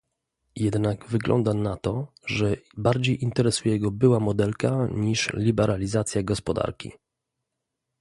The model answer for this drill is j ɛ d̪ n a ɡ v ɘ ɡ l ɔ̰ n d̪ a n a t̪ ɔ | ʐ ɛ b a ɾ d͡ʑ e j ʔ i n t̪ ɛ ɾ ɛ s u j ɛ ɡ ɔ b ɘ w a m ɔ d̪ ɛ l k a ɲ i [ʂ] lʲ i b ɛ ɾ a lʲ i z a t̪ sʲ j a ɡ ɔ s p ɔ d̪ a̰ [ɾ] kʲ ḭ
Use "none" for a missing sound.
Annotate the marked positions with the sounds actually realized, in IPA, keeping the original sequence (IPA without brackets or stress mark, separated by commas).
ʂ, ɾ